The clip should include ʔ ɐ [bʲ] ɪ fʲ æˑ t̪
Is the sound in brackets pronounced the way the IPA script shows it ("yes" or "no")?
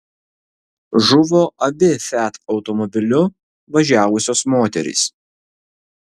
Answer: yes